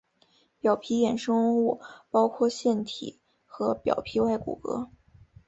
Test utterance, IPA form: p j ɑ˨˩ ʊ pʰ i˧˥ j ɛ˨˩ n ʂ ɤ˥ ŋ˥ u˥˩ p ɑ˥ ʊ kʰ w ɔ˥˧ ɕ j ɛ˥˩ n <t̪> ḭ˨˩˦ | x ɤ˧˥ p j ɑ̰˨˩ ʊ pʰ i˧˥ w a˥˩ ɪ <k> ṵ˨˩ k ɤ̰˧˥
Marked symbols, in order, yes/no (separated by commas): no, yes